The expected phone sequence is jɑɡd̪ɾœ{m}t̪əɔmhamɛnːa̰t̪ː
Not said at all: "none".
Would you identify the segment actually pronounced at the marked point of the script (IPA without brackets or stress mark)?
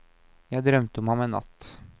m